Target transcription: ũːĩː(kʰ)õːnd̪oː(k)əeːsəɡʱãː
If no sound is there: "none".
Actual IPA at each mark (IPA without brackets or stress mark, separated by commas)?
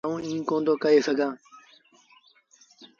k, k